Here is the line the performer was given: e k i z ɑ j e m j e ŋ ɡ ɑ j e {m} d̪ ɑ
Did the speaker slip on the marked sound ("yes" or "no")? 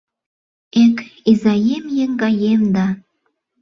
no